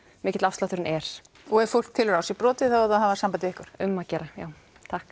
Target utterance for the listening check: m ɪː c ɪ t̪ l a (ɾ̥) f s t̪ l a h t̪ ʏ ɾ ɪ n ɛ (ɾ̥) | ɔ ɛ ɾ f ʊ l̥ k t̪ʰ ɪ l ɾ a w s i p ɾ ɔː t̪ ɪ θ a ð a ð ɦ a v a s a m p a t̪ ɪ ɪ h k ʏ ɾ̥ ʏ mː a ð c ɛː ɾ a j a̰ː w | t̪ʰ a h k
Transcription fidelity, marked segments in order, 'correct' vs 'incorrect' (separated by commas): incorrect, correct